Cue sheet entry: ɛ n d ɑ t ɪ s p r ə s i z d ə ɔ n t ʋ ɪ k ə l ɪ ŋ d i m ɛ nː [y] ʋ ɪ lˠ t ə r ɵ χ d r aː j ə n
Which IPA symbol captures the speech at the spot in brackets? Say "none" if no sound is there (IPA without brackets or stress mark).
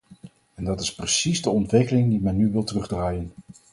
y